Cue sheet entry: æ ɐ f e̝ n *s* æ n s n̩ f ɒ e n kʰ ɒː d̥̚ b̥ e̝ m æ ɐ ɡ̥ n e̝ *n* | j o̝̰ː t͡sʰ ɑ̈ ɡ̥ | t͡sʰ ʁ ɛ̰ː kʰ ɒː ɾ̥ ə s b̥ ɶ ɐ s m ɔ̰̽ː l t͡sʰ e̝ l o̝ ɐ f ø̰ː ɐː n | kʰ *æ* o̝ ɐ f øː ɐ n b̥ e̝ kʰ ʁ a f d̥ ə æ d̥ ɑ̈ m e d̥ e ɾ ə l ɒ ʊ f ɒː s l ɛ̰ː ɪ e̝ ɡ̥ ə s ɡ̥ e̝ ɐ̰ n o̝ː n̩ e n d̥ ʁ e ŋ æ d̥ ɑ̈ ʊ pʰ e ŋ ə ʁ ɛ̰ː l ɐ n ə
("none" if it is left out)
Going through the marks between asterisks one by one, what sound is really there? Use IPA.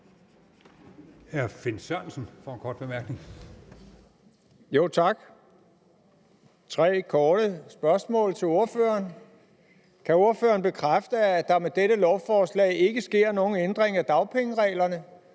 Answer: s, ŋ, æ

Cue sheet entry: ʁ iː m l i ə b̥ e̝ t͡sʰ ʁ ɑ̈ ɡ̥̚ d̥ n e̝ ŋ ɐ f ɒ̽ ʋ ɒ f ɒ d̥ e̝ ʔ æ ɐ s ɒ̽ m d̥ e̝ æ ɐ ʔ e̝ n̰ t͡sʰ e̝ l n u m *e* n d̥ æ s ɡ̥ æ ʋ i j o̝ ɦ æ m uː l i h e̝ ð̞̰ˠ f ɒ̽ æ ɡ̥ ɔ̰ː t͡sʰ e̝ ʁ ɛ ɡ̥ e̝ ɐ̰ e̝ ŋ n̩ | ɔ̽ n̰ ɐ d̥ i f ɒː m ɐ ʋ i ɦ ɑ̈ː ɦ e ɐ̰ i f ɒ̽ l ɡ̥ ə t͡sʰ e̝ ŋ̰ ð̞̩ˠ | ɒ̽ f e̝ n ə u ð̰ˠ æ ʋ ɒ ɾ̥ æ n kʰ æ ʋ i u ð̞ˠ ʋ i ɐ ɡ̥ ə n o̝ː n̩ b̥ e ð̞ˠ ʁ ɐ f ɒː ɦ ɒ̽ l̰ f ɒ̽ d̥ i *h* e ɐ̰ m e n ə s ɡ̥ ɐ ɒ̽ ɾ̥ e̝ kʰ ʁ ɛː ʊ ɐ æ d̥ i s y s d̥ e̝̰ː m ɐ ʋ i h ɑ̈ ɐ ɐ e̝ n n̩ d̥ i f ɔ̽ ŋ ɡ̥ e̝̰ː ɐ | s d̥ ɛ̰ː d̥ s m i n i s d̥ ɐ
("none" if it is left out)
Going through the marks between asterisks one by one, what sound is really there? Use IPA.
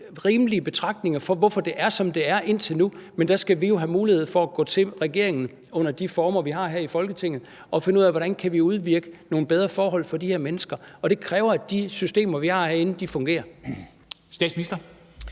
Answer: e, h

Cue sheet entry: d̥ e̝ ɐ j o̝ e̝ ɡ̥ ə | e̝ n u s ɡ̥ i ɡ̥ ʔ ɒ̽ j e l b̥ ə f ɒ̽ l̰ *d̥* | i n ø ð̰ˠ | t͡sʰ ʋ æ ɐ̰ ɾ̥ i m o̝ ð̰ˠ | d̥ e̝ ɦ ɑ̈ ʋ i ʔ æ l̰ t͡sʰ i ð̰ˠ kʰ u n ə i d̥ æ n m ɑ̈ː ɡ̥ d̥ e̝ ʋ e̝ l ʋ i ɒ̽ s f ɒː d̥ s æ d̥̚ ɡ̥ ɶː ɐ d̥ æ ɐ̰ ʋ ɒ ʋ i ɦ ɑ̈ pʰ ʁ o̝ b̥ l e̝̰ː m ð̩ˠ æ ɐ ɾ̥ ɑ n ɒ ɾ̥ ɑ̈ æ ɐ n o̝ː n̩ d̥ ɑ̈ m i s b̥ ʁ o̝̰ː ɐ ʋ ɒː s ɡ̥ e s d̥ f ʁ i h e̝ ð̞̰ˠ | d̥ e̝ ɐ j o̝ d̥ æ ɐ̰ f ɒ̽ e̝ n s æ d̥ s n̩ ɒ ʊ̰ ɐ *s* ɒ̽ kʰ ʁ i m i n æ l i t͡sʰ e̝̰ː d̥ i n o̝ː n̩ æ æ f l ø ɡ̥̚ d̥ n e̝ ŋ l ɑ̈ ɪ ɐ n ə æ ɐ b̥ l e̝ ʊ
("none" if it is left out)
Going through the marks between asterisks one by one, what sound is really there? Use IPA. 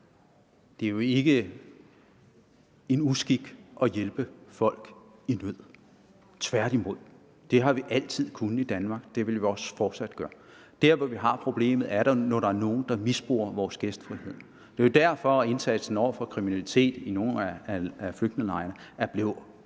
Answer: ɡ̥, f

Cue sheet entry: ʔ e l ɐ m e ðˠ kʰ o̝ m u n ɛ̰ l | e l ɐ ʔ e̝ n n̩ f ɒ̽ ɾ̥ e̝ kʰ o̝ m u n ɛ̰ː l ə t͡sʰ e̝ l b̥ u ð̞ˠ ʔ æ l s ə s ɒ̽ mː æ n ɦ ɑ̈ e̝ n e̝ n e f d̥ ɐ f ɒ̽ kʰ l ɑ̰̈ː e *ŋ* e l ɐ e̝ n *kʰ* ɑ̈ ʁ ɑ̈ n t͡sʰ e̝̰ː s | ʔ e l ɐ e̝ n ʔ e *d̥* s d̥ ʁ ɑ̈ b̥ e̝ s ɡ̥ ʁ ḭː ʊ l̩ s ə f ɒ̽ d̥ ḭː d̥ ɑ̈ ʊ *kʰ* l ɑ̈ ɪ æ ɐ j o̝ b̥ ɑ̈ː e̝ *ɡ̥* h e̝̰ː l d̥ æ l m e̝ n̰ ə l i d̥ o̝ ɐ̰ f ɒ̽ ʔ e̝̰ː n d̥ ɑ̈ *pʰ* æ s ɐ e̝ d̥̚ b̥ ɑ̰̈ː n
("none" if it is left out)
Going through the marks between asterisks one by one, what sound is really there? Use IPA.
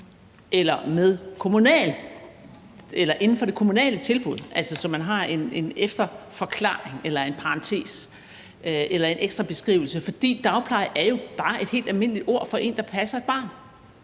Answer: ŋ, pʰ, ɡ̥, pʰ, d̥, pʰ

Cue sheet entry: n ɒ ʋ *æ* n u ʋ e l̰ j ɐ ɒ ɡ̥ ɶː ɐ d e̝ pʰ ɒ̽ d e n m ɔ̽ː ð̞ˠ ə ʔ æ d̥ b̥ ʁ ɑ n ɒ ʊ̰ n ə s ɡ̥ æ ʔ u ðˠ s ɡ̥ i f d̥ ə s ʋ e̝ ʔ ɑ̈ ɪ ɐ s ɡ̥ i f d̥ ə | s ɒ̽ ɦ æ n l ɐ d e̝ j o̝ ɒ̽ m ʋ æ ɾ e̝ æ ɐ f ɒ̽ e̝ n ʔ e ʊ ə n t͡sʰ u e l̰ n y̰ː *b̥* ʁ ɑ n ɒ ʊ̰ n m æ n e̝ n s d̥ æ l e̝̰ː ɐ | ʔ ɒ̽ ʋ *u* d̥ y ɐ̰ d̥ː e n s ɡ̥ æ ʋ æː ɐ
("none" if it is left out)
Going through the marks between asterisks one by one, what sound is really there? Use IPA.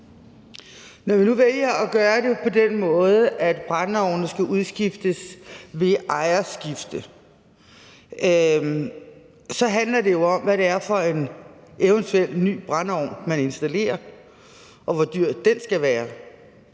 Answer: i, b̥, ɒ

